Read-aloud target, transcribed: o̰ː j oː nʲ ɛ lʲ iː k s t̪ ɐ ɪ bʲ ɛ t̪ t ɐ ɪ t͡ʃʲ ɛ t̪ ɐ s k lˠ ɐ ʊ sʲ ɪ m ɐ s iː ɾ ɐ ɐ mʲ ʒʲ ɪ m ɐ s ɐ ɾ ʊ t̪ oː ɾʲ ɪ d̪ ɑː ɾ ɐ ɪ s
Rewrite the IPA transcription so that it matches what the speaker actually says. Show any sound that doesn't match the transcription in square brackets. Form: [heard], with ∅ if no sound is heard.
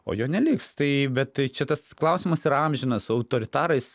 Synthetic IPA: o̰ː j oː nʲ ɛ lʲ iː k s t̪ ɐ ɪ bʲ ɛ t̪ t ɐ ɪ t͡ʃʲ ɛ t̪ ɐ s k lˠ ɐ ʊ sʲ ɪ m ɐ s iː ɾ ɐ ɐ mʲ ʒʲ ɪ [n] ɐ s ɐ [∅] ʊ t̪ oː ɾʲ ɪ [t̪] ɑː ɾ ɐ ɪ s